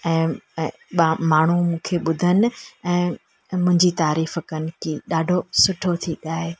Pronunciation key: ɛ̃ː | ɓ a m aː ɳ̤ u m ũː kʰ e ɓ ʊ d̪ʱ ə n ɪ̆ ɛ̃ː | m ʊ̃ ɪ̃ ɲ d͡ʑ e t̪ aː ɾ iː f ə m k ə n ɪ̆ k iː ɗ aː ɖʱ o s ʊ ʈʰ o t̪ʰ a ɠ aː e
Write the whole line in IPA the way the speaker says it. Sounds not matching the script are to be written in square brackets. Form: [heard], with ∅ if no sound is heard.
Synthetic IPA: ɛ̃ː | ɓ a m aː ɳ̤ u m ũː kʰ e ɓ ʊ d̪ʱ ə n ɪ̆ ɛ̃ː | m ʊ̃ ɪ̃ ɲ d͡ʑ [i] t̪ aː ɾ iː f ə [∅] k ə n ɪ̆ k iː ɗ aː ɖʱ o s ʊ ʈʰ o t̪ʰ [i] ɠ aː e

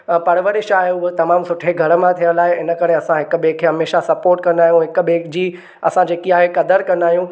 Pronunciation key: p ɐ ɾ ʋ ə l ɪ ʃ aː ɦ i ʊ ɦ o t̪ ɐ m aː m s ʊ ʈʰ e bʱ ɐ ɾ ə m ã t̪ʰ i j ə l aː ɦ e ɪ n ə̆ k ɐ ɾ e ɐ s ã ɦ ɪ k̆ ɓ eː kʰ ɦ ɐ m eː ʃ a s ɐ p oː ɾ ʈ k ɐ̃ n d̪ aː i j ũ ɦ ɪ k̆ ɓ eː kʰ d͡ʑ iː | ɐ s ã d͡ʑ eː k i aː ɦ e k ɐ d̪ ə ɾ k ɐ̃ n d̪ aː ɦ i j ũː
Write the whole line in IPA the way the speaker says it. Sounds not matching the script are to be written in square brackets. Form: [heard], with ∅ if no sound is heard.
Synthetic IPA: p ɐ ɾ ʋ ə [ɾ] ɪ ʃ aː ɦ [e] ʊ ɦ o t̪ ɐ m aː m s ʊ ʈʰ e [ɡʱ] ɐ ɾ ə m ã t̪ʰ i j ə l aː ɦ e ɪ n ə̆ k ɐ ɾ e ɐ s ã ɦ ɪ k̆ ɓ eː kʰ ɦ ɐ m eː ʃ a s ɐ p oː ɾ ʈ k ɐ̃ n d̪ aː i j ũ ɦ ɪ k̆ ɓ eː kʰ d͡ʑ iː | ɐ s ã d͡ʑ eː k i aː ɦ e k ɐ d̪ ə ɾ k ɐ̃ n d̪ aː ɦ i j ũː

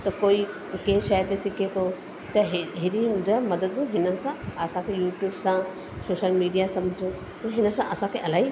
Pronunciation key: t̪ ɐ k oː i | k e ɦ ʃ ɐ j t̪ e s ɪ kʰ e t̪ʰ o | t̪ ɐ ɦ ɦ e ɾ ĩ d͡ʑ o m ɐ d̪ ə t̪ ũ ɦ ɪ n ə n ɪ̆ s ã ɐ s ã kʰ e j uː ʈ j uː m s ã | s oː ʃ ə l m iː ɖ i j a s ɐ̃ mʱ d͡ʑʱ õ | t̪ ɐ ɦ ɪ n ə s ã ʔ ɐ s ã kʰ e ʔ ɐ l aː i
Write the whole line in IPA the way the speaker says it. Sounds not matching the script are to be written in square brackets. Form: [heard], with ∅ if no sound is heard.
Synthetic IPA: t̪ ɐ k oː i | k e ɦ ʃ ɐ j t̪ e s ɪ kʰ e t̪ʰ o | t̪ ɐ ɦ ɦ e ɾ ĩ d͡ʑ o m ɐ d̪ ə [d̪] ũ ɦ ɪ n ə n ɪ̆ s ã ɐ s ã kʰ e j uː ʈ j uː [b] s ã | s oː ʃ ə l m iː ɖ i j a s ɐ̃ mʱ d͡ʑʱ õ | t̪ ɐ ɦ ɪ n ə s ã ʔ ɐ s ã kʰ e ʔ ɐ l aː i

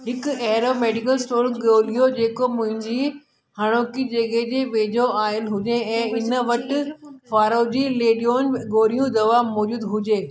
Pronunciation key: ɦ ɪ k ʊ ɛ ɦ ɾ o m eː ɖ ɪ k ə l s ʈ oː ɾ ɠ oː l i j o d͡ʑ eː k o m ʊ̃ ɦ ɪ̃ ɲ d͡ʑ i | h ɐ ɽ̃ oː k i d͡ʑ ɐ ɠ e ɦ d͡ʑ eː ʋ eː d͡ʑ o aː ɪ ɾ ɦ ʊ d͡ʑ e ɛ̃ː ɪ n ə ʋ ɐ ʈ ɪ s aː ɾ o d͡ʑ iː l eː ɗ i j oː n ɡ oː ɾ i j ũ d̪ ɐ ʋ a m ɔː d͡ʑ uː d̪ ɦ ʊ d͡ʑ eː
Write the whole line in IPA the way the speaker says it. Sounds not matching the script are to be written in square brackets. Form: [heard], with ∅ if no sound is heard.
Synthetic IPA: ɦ ɪ k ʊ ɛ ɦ ɾ o m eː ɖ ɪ k ə l s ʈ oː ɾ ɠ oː l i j o d͡ʑ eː k o m ʊ̃ ɦ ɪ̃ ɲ d͡ʑ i | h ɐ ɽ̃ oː k i d͡ʑ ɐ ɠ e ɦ d͡ʑ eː ʋ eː d͡ʑ o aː ɪ [l] ɦ ʊ d͡ʑ e ɛ̃ː ɪ n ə ʋ ɐ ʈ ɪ [f] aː ɾ o d͡ʑ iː l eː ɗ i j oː n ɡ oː ɾ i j ũ d̪ ɐ ʋ a m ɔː d͡ʑ uː d̪ ɦ ʊ d͡ʑ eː

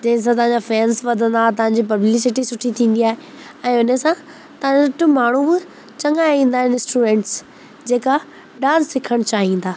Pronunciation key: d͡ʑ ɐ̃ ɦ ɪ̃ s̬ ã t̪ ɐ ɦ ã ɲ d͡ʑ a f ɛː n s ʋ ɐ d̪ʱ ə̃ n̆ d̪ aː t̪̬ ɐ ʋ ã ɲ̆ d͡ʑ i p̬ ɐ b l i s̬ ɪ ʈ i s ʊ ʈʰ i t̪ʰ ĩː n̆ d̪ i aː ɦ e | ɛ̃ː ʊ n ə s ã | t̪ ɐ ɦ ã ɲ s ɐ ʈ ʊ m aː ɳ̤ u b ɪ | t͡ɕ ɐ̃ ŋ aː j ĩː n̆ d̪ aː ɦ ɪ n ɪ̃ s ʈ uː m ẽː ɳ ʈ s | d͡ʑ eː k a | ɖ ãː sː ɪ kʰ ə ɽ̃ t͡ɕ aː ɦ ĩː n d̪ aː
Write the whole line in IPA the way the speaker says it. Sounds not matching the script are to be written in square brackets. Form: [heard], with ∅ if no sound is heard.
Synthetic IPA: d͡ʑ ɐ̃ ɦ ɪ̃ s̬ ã t̪ ɐ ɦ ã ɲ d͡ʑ a f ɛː n s ʋ ɐ d̪ʱ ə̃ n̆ d̪ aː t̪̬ ɐ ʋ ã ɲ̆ d͡ʑ i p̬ ɐ b l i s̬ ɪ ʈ i s ʊ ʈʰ i t̪ʰ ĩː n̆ d̪ i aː ɦ e | ɛ̃ː ʊ n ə s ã | t̪ ɐ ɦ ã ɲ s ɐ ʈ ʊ m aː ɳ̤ u b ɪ | t͡ɕ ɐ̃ ŋ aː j ĩː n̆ d̪ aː ɦ ɪ n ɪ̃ s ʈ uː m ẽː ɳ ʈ s | d͡ʑ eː k a | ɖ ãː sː ɪ kʰ ə ɽ̃ t͡ɕ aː ɦ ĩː n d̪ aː

